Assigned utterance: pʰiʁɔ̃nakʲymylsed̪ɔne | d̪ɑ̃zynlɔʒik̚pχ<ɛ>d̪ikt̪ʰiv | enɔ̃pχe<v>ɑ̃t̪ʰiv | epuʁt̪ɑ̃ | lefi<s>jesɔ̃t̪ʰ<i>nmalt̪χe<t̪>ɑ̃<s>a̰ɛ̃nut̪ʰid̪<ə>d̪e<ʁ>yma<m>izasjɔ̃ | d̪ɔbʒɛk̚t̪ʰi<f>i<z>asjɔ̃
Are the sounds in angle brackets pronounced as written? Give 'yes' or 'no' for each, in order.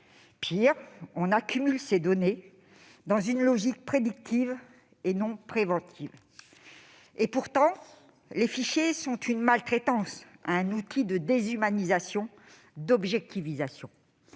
no, yes, no, no, yes, yes, yes, no, no, no, yes

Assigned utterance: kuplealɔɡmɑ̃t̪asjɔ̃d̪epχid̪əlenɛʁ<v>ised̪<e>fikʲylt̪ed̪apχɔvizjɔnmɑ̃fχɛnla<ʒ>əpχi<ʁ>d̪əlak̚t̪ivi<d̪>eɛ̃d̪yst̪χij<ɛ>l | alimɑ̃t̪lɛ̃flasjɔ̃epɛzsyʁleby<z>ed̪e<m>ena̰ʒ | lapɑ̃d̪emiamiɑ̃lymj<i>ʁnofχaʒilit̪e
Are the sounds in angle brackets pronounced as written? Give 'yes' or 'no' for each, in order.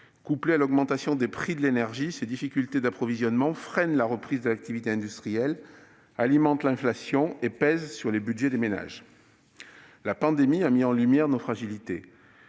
no, no, no, no, no, yes, no, yes, no

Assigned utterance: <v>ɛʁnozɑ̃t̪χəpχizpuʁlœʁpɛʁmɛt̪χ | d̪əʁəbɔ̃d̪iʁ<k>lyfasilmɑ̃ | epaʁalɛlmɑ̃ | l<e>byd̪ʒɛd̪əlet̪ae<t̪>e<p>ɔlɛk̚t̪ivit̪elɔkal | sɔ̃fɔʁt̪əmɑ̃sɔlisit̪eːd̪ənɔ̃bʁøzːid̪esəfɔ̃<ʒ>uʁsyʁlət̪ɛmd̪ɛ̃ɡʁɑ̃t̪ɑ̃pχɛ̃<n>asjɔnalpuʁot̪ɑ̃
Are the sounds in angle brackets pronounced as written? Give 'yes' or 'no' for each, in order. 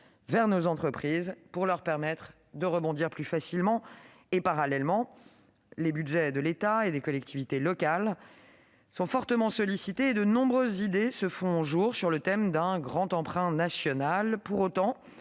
yes, no, yes, no, no, yes, yes

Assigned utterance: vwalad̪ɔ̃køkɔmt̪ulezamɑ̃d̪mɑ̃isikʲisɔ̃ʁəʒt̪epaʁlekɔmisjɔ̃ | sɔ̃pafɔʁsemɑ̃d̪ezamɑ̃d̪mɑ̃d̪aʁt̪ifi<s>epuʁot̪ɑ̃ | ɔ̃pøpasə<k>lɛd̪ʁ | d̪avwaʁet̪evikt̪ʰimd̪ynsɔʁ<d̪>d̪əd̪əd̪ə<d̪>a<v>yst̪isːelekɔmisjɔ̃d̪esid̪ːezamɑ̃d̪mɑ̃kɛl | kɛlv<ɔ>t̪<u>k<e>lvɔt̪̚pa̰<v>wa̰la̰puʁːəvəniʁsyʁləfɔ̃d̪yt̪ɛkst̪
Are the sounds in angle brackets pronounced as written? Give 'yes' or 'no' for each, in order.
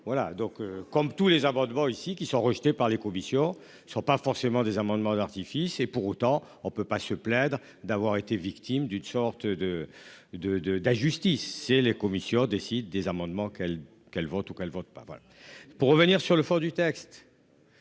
yes, no, no, yes, no, yes, yes, no, yes

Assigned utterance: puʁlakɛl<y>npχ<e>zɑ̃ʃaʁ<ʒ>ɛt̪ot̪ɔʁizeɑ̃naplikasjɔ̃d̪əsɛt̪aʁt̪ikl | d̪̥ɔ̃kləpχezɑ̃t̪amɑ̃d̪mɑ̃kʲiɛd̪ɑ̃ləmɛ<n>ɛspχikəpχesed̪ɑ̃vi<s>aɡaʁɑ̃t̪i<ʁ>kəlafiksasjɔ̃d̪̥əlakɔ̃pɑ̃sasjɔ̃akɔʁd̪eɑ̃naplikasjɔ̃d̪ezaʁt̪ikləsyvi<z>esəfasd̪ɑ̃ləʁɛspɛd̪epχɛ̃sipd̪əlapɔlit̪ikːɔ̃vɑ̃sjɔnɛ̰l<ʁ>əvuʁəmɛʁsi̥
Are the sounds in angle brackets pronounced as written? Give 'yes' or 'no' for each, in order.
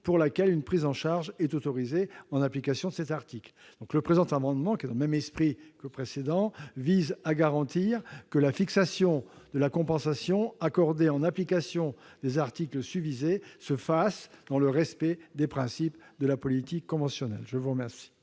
yes, no, yes, no, no, yes, yes, no

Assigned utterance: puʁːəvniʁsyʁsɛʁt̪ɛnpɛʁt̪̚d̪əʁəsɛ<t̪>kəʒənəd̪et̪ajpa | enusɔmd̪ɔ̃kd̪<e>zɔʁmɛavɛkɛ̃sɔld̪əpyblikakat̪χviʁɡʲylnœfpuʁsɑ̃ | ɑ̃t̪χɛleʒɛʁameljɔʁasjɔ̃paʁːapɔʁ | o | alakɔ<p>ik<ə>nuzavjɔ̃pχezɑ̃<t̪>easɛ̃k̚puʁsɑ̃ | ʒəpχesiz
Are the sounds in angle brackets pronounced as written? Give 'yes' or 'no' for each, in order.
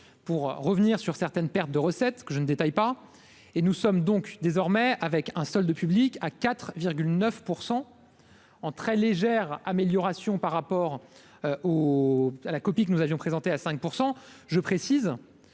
yes, yes, yes, yes, yes

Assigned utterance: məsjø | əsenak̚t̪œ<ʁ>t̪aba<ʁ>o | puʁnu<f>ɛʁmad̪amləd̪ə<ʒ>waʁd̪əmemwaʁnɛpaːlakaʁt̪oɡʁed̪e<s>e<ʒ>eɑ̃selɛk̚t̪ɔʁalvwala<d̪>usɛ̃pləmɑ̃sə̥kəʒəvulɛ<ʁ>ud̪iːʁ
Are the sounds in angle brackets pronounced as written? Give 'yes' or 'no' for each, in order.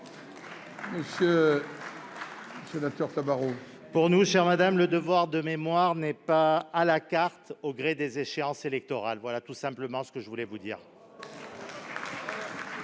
yes, yes, no, no, no, no, no, no

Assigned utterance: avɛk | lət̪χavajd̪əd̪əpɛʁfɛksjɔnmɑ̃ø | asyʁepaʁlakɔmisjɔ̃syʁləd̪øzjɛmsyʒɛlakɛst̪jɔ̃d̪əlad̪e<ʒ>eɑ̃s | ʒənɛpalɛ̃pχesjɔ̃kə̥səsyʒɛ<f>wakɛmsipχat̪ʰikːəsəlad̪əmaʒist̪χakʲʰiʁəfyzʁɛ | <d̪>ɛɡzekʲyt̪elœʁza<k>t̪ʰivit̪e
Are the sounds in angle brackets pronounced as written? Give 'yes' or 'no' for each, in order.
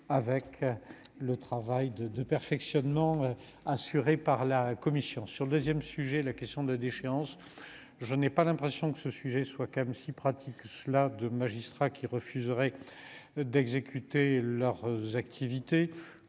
no, no, yes, yes

